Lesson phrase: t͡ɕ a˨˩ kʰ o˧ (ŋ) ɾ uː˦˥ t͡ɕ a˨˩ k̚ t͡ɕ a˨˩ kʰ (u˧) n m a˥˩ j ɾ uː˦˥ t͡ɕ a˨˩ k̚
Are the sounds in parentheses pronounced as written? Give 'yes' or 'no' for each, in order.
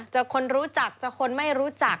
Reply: no, no

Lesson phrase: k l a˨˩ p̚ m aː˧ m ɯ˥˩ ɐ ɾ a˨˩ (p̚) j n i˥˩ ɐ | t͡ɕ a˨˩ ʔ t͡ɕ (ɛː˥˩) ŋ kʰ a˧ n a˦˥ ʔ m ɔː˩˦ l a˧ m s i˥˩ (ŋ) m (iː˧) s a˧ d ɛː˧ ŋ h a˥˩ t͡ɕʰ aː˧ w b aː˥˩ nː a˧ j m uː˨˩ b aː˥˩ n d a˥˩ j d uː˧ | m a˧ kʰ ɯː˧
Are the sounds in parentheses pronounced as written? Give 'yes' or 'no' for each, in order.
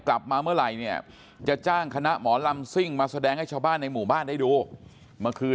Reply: no, no, yes, no

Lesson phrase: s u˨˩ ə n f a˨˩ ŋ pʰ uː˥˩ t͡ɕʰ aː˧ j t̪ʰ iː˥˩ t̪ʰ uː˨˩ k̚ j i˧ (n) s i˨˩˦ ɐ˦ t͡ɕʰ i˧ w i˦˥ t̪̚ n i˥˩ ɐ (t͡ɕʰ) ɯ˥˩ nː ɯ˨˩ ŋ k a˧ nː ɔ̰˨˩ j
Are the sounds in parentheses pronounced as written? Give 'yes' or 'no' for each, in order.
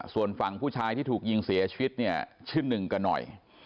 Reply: no, yes

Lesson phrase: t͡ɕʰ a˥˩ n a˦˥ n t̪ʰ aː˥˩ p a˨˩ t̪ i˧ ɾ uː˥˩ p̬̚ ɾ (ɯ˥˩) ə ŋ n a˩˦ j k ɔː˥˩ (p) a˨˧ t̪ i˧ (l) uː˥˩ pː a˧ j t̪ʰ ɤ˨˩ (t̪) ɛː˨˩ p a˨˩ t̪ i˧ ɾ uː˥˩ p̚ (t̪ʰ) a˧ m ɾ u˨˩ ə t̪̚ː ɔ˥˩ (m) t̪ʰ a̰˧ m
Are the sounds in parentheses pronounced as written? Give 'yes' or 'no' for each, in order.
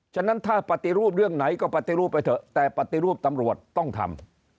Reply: yes, yes, no, yes, no, no

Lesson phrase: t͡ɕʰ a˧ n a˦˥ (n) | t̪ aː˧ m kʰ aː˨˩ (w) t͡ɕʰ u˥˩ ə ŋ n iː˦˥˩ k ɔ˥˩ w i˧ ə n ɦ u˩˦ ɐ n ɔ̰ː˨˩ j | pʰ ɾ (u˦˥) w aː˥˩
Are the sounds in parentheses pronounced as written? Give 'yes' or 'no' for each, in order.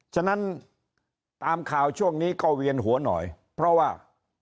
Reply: yes, yes, no

